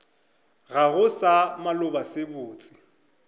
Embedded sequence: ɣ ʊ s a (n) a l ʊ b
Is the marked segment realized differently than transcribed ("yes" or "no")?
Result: yes